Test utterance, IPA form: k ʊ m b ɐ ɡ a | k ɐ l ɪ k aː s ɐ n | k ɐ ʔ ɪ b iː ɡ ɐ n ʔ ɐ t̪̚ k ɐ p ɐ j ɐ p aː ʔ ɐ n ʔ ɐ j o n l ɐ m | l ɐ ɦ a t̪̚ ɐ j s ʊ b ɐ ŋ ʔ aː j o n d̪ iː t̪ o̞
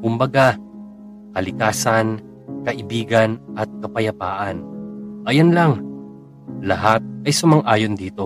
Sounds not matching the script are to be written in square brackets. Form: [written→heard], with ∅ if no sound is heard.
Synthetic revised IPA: k ʊ m b ɐ ɡ a | k ɐ l ɪ k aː s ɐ n | k ɐ ʔ ɪ b iː ɡ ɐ n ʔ ɐ t̪̚ k ɐ p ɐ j ɐ p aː ʔ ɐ n ʔ ɐ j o n l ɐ [m→ŋ] | l ɐ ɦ a t̪̚ ɐ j s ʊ [b→m] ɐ ŋ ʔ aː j o n d̪ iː t̪ o̞